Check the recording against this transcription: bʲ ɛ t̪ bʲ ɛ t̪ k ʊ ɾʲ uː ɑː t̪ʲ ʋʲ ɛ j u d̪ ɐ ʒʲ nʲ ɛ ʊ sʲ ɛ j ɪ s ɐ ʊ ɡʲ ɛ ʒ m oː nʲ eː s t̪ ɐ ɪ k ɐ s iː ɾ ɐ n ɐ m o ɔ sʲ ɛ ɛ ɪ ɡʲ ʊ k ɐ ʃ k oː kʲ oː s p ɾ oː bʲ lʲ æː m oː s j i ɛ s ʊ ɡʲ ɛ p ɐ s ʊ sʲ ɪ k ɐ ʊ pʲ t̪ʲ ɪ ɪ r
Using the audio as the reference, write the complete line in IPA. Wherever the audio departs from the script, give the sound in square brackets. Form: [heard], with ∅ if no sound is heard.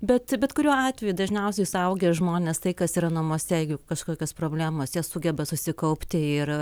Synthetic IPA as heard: bʲ ɛ t̪ bʲ ɛ t̪ k ʊ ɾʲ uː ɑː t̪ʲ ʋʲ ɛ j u d̪ ɐ ʒʲ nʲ ɛ ʊ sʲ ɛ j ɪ s ɐ ʊ ɡʲ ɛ ʒ m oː nʲ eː s t̪ ɐ ɪ k ɐ s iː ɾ ɐ n ɐ m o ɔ sʲ ɛ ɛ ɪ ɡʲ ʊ k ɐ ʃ k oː kʲ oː s p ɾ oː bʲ lʲ æː m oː s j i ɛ s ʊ ɡʲ ɛ [b] ɐ s ʊ sʲ ɪ k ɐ ʊ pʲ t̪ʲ ɪ ɪ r

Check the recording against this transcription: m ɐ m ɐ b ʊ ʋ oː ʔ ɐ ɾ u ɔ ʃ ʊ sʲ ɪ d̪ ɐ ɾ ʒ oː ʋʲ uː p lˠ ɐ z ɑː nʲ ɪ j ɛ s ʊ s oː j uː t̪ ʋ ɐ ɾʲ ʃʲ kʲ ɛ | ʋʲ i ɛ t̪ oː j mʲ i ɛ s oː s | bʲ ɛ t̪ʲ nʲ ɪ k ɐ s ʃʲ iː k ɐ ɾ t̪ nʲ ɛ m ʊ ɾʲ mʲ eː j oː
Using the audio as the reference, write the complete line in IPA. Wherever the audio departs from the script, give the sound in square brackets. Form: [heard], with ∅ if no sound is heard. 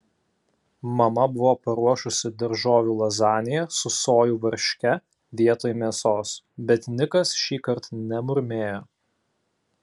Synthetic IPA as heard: m ɐ m ɐ b ʊ ʋ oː [p] ɐ ɾ u ɔ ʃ ʊ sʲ ɪ d̪ ɐ ɾ ʒ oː ʋʲ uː [∅] lˠ ɐ z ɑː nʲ ɪ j ɛ s ʊ s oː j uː [∅] ʋ ɐ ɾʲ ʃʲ kʲ ɛ | ʋʲ i ɛ t̪ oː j mʲ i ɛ s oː s | bʲ ɛ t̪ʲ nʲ ɪ k ɐ s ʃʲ iː k ɐ ɾ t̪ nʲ ɛ m ʊ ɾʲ mʲ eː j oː

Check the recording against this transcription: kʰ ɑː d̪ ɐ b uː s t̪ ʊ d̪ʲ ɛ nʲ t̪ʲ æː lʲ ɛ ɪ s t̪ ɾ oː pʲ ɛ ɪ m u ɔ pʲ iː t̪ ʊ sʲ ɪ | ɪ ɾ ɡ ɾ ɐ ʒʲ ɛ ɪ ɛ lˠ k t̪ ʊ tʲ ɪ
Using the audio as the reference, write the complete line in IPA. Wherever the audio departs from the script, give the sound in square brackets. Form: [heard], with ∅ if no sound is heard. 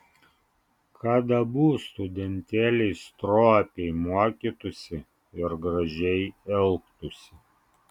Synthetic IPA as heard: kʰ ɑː d̪ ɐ b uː s t̪ ʊ d̪ʲ ɛ nʲ t̪ʲ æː lʲ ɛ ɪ s t̪ ɾ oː pʲ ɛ ɪ m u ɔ [kʲ] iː t̪ ʊ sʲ ɪ | ɪ ɾ ɡ ɾ ɐ ʒʲ ɛ ɪ ɛ lˠ k t̪ ʊ [sʲ] ɪ

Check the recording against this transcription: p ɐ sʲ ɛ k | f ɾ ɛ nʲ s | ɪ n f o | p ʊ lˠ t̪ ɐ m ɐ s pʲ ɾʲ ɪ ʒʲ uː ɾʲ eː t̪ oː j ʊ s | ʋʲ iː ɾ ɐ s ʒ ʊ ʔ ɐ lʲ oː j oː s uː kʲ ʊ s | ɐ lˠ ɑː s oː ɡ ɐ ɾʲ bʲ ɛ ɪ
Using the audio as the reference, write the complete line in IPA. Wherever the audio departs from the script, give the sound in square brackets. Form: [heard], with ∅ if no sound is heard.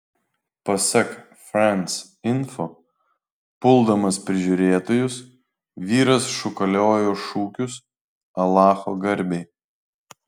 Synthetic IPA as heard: p ɐ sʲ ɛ k | f ɾ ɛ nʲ s | ɪ n f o | p ʊ lˠ [d̪] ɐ m ɐ s pʲ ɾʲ ɪ ʒʲ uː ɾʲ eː t̪ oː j ʊ s | ʋʲ iː ɾ ɐ s [ʃ] ʊ [k] ɐ lʲ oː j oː [ʃ] uː kʲ ʊ s | ɐ lˠ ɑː [x] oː ɡ ɐ ɾʲ bʲ ɛ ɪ

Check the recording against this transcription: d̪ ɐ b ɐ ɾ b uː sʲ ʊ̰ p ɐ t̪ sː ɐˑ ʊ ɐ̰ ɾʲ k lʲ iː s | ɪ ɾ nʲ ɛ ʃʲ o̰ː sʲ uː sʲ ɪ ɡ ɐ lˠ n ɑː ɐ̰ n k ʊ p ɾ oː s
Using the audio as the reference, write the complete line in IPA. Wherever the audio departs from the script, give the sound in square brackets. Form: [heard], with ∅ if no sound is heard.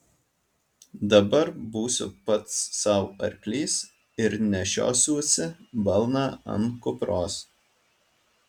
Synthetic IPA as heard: d̪ ɐ b ɐ ɾ b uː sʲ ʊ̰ p ɐ t̪ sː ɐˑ ʊ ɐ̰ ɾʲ k lʲ iː s | ɪ ɾ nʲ ɛ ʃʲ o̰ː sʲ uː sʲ ɪ [b] ɐ lˠ n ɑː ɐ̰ n k ʊ p ɾ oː s

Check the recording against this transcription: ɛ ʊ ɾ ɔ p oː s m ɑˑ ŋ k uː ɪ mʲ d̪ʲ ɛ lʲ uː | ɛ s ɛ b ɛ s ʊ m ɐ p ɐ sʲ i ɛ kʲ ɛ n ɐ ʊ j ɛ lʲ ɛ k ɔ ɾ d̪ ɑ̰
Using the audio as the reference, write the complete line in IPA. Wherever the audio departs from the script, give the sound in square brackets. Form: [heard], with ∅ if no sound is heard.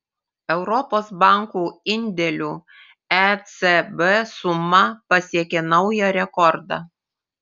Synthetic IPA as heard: ɛ ʊ ɾ ɔ p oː s [b] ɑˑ ŋ k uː ɪ [nʲ] d̪ʲ ɛ lʲ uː | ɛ s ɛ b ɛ s ʊ m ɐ p ɐ sʲ i ɛ kʲ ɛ n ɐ ʊ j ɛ [ɾʲ] ɛ k ɔ ɾ d̪ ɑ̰

